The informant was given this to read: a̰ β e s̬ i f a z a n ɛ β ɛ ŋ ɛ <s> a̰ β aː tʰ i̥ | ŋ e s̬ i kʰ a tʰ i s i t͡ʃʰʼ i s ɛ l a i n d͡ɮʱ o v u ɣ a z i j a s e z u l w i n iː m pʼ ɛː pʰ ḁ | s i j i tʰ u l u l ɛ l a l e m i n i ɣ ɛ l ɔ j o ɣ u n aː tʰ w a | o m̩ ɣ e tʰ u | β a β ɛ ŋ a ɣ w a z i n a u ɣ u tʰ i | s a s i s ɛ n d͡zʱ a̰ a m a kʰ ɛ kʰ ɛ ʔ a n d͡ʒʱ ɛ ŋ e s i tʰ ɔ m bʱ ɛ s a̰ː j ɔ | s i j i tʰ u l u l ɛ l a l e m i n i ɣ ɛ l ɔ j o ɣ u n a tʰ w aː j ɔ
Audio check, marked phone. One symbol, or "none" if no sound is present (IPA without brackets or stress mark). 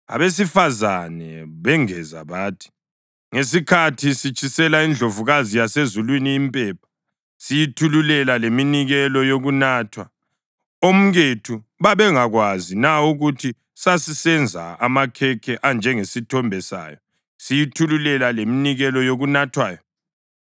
z